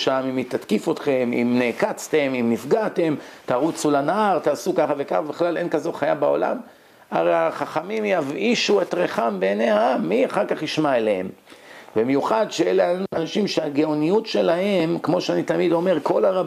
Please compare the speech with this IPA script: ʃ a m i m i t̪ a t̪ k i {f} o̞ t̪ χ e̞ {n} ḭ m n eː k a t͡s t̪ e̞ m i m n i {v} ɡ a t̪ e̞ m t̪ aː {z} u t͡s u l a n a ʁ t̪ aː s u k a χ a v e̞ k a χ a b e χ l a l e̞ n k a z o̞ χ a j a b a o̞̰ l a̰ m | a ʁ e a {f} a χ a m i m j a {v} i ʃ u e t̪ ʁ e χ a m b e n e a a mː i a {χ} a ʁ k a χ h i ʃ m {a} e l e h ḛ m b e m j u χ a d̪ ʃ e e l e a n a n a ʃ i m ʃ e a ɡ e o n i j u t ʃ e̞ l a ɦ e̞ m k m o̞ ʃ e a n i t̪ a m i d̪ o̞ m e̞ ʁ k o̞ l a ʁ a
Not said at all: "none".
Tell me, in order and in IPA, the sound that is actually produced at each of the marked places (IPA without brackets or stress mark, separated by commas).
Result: f, m, f, ʁ, χ, v, χ, a